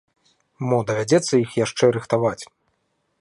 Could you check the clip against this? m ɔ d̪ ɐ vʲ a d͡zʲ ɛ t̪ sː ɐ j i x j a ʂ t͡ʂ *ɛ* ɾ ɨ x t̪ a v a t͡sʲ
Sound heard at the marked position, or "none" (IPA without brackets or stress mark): ɛ